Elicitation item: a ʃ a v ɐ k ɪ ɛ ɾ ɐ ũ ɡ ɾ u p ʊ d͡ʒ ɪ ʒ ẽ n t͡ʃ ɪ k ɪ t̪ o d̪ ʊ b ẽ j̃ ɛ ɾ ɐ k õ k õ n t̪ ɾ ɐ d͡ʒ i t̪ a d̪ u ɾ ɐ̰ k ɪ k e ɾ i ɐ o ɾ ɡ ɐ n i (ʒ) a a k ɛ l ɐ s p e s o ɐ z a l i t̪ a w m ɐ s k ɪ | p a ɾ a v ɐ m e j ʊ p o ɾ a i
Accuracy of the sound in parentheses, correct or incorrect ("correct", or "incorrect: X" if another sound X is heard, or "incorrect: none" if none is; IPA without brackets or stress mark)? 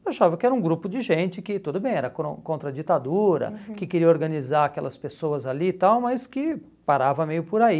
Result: incorrect: z